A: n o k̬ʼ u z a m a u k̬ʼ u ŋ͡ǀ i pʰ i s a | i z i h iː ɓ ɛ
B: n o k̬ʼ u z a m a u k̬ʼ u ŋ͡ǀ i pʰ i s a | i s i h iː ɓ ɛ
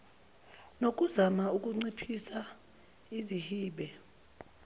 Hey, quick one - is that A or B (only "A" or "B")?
A